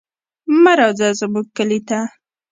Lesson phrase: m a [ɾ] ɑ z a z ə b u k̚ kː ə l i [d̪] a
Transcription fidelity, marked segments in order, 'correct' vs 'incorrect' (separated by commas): correct, incorrect